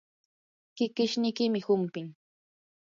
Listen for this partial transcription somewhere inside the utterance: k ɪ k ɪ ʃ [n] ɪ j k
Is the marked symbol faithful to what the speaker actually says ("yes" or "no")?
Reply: yes